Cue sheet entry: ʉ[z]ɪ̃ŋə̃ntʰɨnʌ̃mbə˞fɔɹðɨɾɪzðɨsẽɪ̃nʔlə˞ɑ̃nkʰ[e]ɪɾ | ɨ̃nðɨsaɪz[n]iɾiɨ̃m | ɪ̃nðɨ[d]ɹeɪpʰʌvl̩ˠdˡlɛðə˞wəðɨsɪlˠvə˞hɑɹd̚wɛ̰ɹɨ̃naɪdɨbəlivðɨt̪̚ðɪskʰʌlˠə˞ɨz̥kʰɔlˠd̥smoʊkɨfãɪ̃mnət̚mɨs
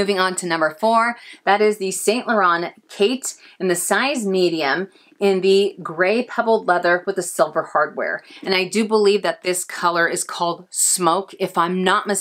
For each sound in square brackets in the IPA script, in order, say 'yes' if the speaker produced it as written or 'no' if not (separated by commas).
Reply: no, yes, no, no